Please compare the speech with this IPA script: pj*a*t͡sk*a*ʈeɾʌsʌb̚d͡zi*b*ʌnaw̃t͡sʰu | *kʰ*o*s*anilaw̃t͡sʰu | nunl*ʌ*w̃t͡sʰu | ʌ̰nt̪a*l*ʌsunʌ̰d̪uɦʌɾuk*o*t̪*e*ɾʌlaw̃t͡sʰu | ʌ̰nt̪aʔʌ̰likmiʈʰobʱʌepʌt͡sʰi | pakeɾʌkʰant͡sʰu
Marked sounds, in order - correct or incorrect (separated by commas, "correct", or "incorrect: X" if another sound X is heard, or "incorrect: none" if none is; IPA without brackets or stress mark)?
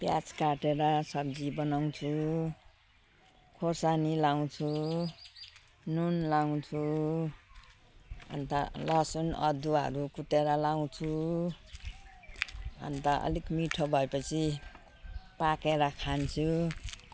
correct, correct, correct, correct, correct, incorrect: a, correct, incorrect: u, correct